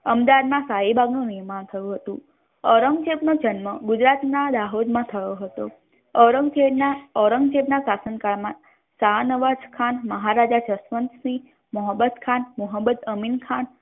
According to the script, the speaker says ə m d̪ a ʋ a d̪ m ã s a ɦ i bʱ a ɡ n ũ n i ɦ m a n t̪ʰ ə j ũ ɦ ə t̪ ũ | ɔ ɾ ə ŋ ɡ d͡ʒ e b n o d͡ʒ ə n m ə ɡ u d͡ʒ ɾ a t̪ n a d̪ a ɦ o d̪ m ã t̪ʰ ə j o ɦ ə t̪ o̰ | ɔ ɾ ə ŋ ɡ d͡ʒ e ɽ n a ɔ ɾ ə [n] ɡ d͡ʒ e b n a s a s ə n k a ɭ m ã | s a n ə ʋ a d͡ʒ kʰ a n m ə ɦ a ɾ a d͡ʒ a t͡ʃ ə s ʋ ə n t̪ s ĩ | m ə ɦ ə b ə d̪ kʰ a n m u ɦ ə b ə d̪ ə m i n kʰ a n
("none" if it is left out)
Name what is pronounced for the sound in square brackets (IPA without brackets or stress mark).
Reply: ŋ